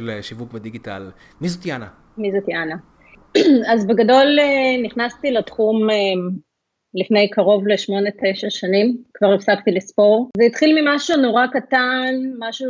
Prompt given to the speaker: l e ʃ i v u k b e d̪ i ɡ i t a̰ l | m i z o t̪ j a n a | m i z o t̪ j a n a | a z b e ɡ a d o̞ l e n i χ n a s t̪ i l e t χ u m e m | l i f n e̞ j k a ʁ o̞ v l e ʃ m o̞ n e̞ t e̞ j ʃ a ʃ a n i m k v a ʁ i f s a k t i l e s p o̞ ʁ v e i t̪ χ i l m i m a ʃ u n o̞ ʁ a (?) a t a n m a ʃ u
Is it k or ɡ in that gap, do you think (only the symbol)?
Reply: k